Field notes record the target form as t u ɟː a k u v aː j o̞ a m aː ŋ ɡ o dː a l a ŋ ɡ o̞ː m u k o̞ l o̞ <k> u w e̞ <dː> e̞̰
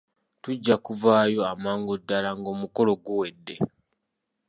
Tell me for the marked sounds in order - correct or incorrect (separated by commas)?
incorrect, correct